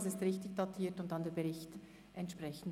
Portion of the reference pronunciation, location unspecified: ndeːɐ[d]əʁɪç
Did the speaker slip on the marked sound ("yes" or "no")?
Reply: yes